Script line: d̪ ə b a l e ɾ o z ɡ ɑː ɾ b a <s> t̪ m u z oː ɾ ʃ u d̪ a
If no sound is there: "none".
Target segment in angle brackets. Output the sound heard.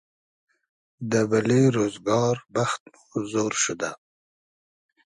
x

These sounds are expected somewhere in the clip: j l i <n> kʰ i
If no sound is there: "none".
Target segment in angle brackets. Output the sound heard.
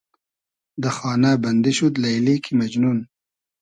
none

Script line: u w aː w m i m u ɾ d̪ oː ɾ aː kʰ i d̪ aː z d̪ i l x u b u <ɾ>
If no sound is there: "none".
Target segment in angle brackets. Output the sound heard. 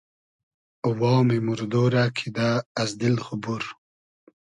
ɾ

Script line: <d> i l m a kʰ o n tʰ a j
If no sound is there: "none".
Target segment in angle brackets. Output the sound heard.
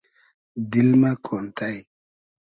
d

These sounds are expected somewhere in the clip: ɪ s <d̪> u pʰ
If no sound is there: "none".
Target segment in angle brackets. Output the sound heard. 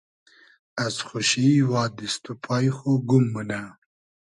t̪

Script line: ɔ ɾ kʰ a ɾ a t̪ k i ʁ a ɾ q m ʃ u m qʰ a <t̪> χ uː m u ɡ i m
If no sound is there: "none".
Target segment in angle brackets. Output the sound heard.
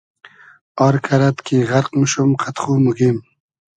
t̪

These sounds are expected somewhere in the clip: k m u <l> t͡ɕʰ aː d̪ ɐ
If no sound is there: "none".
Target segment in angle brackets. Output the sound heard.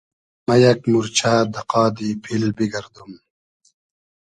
ɾ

